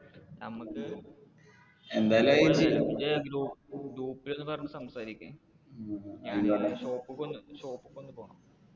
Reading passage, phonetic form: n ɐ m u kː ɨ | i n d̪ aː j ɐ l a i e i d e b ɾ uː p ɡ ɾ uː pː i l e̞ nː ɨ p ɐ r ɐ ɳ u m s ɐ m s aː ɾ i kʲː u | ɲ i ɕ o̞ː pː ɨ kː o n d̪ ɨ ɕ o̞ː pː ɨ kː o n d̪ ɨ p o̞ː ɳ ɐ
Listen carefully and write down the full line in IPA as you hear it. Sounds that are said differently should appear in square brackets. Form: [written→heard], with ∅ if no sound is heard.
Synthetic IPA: n ɐ m u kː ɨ | [i→e] n d̪ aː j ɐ l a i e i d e [b→ɡ] ɾ uː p ɡ ɾ uː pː i l e̞ nː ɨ p ɐ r ɐ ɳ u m s ɐ m s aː ɾ i kʲː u | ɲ [i→a] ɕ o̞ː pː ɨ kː o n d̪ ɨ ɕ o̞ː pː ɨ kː o n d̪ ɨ p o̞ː ɳ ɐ